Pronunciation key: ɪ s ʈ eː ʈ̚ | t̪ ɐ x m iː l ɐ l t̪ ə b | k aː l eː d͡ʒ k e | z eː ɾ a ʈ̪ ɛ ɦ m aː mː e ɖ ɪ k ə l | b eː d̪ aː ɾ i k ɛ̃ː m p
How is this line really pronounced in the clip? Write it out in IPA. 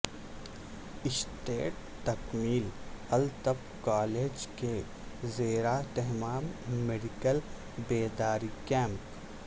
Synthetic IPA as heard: ɪ s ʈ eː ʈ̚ | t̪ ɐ k m iː l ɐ l t̪ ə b | k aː l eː d͡ʒ k e | z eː ɾ a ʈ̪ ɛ ɦ m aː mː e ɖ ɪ k ə l | b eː d̪ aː ɾ i k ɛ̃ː m p